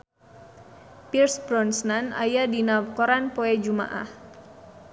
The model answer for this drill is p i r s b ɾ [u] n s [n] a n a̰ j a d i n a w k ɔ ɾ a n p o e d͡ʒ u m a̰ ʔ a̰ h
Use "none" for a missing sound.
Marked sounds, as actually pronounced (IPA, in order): ɔ, n

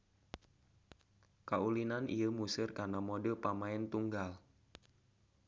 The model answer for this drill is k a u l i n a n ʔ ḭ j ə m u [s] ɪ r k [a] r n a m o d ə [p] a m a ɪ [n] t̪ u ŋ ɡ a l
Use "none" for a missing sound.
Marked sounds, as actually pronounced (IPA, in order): s, a, p, n

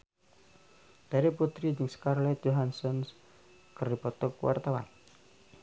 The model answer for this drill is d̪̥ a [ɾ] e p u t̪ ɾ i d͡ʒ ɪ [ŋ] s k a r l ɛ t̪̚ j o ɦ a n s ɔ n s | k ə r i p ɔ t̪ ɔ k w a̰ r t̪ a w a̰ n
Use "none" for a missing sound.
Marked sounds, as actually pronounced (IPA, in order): ɾ, ŋ

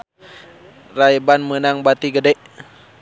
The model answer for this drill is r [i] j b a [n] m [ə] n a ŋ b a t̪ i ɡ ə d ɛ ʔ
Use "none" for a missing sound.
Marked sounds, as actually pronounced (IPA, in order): a, n, ə

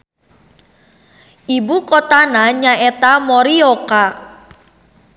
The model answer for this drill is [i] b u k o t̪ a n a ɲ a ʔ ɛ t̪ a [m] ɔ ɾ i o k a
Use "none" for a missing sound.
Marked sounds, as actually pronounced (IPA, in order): i, m

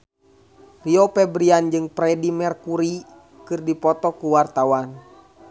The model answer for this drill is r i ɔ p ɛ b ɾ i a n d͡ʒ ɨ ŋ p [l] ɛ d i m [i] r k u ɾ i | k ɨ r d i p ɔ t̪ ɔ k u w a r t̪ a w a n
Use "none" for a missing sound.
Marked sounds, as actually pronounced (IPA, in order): ɾ, ɛ

